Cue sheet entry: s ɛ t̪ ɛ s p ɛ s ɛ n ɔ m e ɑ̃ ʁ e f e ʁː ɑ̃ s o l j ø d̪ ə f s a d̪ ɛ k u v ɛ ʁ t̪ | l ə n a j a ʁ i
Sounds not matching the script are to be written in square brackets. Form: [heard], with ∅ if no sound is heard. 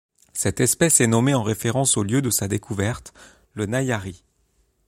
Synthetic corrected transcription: s ɛ t̪ ɛ s p ɛ s ɛ n ɔ m e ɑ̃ ʁ e f e [ʁ] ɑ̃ s o l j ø d̪ ə [∅] s a d̪ [e] k u v ɛ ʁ t̪ | l ə n a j a ʁ i